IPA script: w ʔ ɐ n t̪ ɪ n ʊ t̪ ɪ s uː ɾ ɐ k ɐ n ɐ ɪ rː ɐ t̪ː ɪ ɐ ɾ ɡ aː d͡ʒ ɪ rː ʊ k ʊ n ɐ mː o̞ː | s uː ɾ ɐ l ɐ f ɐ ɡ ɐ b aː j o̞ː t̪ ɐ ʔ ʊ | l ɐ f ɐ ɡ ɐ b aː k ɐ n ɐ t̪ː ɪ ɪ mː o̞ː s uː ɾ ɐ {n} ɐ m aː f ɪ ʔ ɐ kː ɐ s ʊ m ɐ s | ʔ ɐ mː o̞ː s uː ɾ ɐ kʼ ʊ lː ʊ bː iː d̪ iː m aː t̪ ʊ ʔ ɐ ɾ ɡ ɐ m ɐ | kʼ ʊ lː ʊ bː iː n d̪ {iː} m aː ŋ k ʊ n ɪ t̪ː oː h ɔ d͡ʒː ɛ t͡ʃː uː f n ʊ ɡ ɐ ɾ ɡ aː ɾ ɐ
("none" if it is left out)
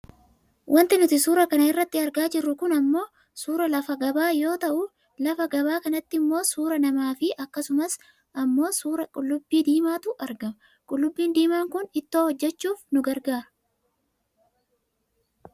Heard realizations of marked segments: n, iː

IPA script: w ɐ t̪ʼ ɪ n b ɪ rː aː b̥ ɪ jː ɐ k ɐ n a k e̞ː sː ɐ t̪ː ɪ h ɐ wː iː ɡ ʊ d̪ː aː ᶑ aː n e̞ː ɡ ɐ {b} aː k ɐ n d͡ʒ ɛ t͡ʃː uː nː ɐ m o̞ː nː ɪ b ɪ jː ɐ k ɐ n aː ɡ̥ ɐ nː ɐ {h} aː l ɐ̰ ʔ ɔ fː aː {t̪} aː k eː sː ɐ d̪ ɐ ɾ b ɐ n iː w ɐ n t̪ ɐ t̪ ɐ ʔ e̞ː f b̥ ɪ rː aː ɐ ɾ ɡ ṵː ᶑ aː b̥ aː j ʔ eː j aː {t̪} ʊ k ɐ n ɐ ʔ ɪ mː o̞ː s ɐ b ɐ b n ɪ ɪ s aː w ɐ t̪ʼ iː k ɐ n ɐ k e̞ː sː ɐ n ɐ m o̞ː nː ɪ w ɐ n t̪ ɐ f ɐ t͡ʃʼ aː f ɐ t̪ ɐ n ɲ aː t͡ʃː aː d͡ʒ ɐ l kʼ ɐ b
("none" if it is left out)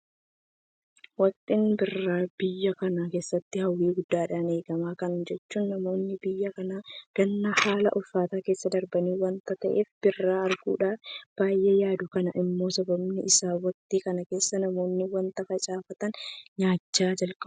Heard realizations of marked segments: m, h, t̪, d̪

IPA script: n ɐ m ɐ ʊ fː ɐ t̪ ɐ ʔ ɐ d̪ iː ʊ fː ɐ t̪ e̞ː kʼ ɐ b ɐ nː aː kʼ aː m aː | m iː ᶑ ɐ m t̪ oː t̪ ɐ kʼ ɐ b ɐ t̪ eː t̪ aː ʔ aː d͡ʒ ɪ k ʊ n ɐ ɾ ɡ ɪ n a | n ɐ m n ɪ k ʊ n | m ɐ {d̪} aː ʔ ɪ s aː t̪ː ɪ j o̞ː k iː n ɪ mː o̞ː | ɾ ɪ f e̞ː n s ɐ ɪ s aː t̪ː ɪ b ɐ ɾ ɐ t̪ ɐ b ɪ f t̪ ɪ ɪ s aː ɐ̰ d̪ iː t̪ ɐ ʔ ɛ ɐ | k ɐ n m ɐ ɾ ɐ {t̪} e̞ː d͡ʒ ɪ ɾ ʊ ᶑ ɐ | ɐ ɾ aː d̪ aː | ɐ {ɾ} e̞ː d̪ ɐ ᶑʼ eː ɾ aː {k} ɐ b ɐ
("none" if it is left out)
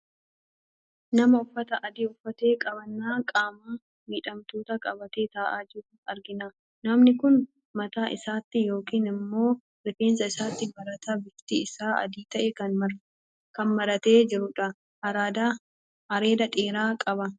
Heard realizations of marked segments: t̪, t̪, ɾ, kʼ

